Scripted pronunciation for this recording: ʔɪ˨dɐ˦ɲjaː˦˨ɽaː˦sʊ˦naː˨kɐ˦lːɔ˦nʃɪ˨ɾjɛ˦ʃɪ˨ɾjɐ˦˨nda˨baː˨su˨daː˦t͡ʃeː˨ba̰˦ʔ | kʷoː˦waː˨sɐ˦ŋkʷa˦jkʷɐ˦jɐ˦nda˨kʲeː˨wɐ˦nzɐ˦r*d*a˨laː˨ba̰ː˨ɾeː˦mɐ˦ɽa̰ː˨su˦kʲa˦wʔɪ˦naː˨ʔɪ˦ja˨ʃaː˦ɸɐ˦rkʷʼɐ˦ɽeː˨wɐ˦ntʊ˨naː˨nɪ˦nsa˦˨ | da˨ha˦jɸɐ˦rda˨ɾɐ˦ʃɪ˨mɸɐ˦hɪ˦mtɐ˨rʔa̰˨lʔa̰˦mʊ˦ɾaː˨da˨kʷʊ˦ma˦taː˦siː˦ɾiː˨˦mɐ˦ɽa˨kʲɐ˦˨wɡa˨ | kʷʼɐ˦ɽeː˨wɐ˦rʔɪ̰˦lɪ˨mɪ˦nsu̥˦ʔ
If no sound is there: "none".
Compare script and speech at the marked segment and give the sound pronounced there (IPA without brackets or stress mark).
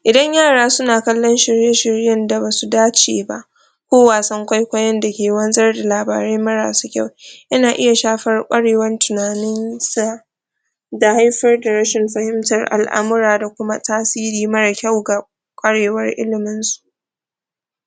d